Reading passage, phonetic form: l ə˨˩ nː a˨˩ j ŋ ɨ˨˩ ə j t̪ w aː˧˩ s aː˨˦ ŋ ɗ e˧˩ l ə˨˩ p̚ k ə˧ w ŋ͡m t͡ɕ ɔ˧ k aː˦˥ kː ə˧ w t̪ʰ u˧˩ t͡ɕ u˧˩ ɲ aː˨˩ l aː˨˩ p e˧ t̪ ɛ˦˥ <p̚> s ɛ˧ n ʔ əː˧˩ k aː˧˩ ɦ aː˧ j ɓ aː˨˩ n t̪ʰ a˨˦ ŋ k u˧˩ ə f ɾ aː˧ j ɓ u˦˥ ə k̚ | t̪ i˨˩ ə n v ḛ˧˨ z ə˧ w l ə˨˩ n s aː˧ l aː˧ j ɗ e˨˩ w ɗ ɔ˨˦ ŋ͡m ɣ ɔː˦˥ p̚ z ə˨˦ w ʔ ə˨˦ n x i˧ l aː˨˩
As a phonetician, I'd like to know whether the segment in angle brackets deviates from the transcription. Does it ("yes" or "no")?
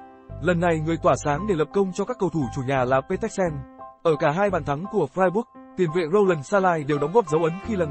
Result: yes